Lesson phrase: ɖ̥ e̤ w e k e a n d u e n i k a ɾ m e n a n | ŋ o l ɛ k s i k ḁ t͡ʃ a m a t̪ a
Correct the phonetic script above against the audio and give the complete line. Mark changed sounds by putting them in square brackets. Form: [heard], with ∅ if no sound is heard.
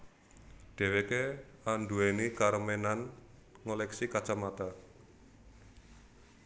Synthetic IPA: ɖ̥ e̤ w e k e a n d u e n i k a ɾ m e n a n | ŋ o l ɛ k s i k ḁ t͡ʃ a m a t̪ a